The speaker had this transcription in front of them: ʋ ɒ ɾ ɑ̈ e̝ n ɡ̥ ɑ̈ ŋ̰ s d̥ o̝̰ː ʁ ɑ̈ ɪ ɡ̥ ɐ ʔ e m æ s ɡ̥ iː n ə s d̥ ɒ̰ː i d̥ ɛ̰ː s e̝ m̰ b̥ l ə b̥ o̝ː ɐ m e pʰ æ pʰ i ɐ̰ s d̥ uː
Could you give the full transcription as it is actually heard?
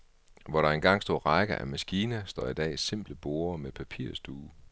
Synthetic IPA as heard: ʋ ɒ ɾ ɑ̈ e̝ n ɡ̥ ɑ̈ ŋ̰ s d̥ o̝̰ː ʁ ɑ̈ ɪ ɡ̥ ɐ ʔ æ m æ s ɡ̥ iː n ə s d̥ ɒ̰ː i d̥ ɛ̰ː s e̝ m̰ b̥ l ə b̥ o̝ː ɐ m e pʰ æ pʰ i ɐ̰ s d̥ uː